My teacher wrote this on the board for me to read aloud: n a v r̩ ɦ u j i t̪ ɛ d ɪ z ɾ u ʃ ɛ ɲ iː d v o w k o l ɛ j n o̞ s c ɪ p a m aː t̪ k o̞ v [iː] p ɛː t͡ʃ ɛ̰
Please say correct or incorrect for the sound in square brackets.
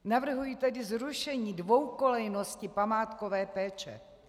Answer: incorrect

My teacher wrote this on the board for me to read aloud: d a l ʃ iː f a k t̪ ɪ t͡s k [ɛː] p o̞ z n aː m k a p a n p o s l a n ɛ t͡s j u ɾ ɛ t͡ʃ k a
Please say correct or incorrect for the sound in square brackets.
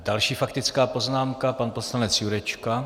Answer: incorrect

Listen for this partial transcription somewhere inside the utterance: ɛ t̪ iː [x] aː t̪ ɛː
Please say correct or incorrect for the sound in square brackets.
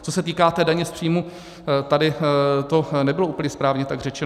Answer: incorrect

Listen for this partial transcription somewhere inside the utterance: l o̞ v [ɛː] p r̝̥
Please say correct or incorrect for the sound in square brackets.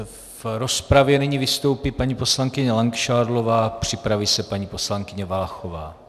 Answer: incorrect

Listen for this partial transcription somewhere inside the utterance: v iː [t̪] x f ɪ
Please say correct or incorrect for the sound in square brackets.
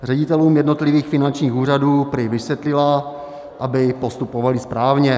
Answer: incorrect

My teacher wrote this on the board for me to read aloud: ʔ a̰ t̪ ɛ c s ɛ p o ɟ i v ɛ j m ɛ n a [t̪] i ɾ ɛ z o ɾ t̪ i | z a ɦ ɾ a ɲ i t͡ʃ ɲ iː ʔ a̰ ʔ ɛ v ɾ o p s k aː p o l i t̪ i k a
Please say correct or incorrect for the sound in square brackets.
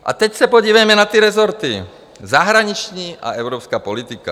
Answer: correct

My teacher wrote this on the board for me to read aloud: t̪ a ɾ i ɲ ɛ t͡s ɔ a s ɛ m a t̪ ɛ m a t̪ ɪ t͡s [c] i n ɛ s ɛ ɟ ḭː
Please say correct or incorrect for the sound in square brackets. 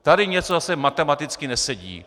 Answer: incorrect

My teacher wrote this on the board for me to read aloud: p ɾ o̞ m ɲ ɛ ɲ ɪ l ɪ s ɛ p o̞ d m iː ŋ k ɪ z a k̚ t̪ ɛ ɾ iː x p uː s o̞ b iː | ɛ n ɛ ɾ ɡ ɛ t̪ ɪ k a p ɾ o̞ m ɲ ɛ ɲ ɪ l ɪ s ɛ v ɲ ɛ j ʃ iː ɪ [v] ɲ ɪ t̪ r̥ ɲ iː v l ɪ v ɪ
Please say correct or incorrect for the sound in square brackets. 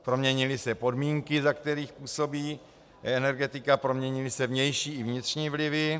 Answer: correct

